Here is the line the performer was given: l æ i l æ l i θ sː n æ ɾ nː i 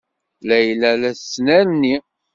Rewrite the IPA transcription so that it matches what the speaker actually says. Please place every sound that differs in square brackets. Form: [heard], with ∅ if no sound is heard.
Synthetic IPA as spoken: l æ [j] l æ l [æ] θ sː n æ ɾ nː i